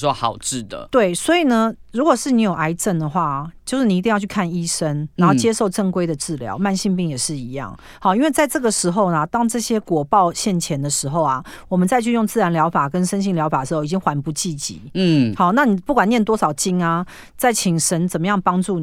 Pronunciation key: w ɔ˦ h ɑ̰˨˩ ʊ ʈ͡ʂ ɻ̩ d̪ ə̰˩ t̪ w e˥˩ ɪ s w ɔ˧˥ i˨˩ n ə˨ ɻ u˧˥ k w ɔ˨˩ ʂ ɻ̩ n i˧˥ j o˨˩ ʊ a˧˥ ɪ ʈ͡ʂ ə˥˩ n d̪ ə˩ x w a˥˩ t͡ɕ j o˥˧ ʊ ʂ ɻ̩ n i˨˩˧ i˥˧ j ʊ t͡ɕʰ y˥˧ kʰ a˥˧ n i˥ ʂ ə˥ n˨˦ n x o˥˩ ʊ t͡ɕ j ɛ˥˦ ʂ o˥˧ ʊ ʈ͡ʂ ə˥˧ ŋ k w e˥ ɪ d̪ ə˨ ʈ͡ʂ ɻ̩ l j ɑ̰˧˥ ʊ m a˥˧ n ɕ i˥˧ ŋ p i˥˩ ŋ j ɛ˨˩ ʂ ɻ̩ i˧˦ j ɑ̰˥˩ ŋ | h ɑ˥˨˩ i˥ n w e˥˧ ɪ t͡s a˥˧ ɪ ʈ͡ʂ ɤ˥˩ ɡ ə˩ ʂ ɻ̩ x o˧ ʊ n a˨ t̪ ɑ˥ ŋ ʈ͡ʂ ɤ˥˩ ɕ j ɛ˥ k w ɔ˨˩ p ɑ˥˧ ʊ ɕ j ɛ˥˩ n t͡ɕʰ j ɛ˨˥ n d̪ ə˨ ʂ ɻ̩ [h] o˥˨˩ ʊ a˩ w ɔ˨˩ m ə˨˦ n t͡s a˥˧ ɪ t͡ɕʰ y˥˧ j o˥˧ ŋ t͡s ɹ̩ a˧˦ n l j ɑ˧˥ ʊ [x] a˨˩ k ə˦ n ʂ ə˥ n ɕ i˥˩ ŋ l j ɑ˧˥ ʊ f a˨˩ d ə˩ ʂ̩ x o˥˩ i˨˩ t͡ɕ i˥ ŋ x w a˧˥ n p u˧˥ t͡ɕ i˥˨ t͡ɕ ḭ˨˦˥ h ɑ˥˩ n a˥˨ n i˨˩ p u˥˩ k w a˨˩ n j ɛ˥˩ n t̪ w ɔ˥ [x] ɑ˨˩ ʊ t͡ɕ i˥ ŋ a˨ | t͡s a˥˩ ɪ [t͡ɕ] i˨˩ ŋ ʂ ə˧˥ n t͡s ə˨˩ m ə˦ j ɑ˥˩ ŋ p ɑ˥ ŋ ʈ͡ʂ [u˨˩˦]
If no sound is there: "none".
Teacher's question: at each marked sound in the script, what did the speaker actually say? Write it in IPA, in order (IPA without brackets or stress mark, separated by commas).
x, f, ʂ, t͡ɕʰ, u˥˩